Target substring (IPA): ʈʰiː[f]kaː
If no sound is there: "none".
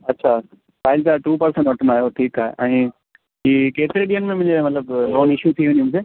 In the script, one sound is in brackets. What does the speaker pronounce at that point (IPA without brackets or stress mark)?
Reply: none